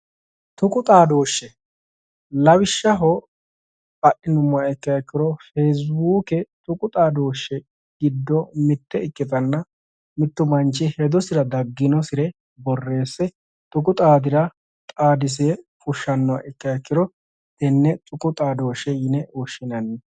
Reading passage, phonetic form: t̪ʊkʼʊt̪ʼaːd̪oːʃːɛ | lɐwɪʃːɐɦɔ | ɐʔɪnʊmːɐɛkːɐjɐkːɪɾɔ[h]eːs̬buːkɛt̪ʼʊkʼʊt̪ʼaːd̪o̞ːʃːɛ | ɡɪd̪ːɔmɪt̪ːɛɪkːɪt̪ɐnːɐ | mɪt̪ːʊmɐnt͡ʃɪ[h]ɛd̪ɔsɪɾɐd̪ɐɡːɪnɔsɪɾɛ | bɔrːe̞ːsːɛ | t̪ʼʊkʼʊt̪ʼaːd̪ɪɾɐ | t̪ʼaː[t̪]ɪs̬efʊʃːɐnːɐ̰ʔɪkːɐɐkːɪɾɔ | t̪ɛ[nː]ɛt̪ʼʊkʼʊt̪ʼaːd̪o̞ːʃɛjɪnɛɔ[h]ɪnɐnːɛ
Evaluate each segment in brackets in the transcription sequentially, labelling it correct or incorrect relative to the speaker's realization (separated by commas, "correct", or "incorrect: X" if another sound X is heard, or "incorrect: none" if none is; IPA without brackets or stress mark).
incorrect: f, correct, incorrect: d̪, correct, incorrect: ʃ